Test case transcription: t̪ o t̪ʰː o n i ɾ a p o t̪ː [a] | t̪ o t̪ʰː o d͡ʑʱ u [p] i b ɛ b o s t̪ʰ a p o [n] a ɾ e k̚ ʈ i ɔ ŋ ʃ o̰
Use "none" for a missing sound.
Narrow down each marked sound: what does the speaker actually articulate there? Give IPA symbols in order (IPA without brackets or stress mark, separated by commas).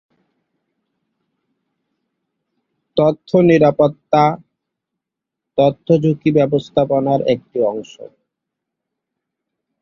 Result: a, k, n